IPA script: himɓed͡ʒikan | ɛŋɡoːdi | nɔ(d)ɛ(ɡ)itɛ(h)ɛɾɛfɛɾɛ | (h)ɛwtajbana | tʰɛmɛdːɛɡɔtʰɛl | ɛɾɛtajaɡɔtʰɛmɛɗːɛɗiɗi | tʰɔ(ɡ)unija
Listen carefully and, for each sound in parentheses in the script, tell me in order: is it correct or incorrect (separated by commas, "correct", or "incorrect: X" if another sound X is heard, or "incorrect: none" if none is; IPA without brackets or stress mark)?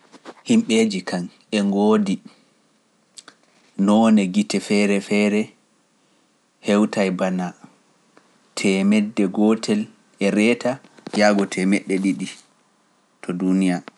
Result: incorrect: n, correct, incorrect: f, correct, incorrect: d